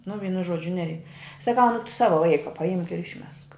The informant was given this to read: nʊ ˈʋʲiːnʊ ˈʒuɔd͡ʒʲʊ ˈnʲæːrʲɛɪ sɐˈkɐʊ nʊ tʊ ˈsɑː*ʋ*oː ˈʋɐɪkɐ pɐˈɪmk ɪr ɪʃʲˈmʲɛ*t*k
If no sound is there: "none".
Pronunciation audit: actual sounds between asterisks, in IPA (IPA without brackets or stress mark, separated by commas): ʋ, s